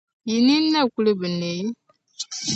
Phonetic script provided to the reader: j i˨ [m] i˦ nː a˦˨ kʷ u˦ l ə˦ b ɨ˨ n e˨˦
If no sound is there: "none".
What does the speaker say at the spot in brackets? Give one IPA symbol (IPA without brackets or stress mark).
n